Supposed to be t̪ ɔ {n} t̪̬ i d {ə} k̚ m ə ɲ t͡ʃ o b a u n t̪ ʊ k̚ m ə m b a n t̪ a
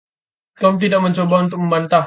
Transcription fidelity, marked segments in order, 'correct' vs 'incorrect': incorrect, incorrect

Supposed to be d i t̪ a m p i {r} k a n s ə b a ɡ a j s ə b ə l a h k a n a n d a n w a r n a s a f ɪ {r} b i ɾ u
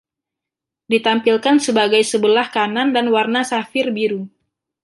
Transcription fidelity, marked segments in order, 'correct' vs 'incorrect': incorrect, correct

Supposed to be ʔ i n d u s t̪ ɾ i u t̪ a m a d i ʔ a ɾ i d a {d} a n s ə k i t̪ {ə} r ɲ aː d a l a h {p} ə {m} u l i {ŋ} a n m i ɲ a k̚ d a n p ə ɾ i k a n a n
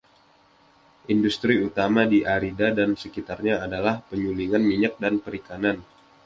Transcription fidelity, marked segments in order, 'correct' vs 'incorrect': correct, incorrect, correct, incorrect, correct

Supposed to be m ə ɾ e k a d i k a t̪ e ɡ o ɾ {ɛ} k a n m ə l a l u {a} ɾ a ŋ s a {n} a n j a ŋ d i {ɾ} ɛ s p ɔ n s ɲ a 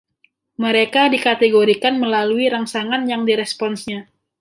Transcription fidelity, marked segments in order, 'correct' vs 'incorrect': incorrect, incorrect, incorrect, correct

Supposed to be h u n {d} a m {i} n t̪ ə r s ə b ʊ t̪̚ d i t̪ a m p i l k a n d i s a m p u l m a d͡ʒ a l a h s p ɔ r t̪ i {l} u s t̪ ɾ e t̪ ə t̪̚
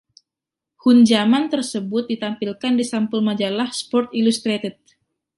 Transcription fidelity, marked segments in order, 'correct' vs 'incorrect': incorrect, incorrect, correct

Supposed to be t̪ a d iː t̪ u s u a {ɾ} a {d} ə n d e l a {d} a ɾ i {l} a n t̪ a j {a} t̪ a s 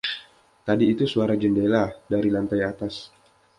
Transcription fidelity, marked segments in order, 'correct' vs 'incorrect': correct, incorrect, correct, correct, correct

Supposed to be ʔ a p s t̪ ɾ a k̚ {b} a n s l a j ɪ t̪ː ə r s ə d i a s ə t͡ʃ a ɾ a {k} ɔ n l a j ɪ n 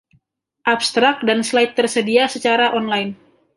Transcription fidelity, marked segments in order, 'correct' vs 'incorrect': incorrect, incorrect

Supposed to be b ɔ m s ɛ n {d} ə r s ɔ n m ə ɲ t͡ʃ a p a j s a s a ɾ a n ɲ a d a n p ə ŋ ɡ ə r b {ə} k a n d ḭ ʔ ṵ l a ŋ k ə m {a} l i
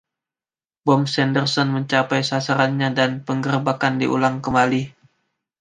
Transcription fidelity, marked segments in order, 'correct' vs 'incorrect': correct, incorrect, correct

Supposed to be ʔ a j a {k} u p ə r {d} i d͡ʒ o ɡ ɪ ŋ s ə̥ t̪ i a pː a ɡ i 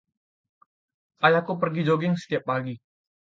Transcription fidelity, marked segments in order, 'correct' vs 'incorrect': correct, incorrect

